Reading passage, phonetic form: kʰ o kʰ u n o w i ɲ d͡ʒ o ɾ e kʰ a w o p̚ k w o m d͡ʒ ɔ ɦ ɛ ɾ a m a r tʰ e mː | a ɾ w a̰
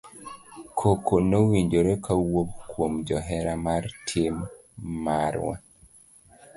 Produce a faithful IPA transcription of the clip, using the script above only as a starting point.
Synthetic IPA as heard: kʰ o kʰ o n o w i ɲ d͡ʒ o ɾ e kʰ a w o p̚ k w o m d͡ʒ ɔ ɦ ɛ ɾ a m a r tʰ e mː | a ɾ w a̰